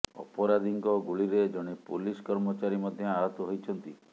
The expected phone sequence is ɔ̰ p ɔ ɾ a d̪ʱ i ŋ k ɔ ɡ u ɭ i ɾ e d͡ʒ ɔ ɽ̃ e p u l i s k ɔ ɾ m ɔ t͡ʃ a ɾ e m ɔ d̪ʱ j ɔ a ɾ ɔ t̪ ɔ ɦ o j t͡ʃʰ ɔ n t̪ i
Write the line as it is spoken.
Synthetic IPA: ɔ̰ p ɔ ɾ a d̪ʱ i ŋ k ɔ ɡ u ɭ i ɾ e d͡ʒ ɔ ɽ̃ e p u l i s k ɔ ɾ m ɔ t͡ʃ a ɾ i m ɔ d̪ʱ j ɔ a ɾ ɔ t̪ ɔ ɦ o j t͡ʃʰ ɔ n t̪ i